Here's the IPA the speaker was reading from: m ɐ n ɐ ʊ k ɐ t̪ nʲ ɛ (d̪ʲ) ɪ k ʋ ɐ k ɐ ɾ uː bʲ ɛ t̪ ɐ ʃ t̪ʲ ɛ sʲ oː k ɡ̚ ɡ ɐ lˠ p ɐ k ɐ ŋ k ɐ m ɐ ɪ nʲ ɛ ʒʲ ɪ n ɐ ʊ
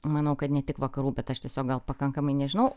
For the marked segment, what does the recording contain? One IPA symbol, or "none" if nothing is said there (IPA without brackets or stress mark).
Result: t̪ʲ